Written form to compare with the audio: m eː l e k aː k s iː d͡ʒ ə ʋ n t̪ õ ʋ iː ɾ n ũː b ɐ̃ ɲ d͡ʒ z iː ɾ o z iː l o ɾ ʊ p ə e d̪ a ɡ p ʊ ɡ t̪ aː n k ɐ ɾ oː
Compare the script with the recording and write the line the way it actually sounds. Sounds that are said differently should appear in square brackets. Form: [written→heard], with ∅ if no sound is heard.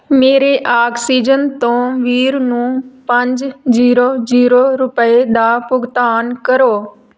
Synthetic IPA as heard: m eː [l→ɾ] e [k→ʔ] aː k s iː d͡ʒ ə [ʋ→∅] n t̪ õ ʋ iː ɾ n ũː [b→p] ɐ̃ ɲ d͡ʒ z iː ɾ o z iː [l→ɾ] o ɾ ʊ p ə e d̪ a [ɡ→∅] p ʊ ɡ t̪ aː n k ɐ ɾ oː